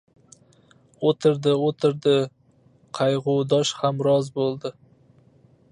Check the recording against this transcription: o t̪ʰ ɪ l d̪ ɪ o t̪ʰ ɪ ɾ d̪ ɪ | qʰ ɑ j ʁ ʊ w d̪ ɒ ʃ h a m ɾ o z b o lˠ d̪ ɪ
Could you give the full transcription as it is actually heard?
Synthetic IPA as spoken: o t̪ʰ ɪ ɾ d̪ ɪ o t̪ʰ ɪ ɾ d̪ ɪ | qʰ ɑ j ʁ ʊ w d̪ ɒ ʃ h a m ɾ ɒ z b o lˠ d̪ ɪ